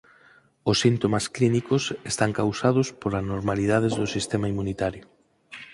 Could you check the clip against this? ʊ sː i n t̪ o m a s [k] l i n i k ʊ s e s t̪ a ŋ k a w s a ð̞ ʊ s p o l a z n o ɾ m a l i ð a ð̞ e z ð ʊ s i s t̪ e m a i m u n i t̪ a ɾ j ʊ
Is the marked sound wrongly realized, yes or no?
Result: no